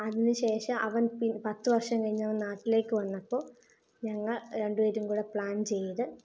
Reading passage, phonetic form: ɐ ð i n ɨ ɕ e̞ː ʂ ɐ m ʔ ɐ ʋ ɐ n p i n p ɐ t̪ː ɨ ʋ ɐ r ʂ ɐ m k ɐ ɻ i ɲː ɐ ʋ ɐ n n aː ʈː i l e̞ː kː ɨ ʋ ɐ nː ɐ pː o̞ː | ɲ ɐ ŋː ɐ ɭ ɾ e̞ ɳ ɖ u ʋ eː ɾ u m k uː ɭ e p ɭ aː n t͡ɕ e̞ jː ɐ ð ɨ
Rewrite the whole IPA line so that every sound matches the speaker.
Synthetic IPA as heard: ɐ ð i n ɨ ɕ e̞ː ʂ ɐ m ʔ ɐ ʋ ɐ n p i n p ɐ t̪ː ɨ ʋ ɐ r ʂ ɐ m k ɐ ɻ i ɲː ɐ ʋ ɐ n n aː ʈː i l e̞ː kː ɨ ʋ ɐ nː ɐ pː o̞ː | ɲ ɐ ŋː ɐ ɭ ɾ e̞ ɳ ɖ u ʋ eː ɾ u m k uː ɽ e p ɭ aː n t͡ɕ e̞ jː ɐ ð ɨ